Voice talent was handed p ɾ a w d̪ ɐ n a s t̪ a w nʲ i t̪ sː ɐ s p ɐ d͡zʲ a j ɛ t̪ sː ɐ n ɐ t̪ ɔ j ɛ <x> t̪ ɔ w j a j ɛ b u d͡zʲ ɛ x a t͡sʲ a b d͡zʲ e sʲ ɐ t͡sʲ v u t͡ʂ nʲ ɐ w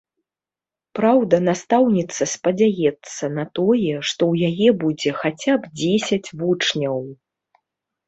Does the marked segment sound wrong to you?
yes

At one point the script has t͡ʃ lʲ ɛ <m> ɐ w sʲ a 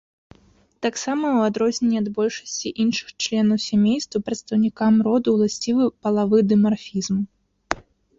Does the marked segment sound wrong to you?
yes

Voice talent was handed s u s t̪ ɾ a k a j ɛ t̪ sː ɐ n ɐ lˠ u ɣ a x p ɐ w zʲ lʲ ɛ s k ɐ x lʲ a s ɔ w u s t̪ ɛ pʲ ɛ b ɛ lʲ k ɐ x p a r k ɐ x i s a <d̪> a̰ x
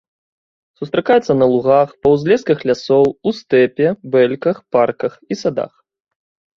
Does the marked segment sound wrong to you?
no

